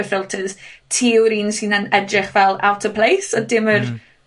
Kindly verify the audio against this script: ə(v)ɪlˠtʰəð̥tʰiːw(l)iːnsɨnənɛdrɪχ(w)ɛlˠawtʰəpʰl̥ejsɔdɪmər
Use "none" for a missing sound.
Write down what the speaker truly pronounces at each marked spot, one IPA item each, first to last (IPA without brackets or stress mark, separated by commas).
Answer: f, ɾ, v